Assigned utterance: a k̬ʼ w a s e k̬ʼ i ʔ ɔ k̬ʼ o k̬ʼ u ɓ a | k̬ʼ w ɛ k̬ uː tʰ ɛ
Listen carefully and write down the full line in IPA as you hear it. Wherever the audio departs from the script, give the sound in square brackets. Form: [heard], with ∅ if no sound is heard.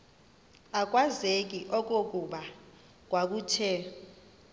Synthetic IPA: a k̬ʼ w a [z] e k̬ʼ i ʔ ɔ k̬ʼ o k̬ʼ u ɓ a | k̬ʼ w [a] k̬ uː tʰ ɛ